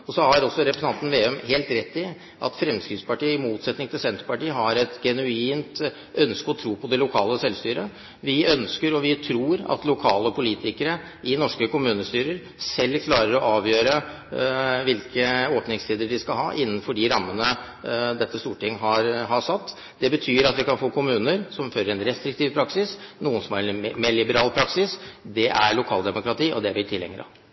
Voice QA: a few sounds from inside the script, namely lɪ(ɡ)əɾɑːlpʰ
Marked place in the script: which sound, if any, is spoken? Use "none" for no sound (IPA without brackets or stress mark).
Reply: b